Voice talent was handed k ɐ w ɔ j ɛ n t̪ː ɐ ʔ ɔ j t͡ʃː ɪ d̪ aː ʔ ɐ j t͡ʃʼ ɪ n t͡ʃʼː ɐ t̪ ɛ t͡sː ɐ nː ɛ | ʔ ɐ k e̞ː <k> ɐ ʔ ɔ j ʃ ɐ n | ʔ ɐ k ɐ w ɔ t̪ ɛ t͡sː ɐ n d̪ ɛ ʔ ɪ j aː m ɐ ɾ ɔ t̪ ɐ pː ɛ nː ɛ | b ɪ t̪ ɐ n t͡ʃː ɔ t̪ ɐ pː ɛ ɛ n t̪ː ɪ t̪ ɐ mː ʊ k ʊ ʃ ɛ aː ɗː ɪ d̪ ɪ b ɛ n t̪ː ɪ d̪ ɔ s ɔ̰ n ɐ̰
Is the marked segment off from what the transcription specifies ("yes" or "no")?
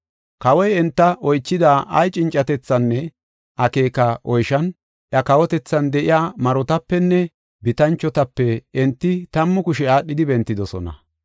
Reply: no